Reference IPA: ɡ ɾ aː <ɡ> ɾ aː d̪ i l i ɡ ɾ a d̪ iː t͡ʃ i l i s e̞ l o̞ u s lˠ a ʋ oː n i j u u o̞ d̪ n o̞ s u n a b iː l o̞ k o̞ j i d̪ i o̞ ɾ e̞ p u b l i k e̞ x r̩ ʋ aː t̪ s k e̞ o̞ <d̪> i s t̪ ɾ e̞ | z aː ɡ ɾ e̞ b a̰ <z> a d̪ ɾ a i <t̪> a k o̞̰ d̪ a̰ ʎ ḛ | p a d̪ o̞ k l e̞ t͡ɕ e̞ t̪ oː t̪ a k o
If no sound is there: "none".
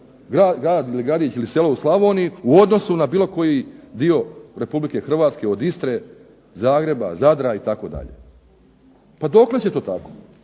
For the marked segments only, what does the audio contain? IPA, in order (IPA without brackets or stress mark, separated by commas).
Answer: ɡ, d̪, z, t̪